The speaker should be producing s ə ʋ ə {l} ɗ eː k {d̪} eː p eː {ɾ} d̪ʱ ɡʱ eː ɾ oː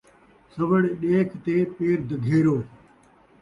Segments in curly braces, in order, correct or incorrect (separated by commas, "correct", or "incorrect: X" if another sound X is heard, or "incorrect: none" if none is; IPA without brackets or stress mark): incorrect: ɽ, incorrect: t̪, correct